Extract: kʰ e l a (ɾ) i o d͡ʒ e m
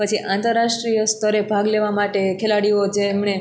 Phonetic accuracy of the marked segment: incorrect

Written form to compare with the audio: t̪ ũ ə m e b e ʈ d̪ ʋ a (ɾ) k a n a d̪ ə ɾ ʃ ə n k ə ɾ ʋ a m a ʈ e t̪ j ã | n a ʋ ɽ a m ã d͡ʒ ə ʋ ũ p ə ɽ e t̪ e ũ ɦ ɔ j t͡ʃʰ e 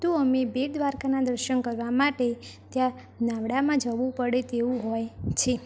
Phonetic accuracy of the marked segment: correct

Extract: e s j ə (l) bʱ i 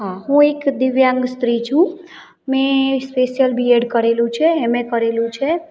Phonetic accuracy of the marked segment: correct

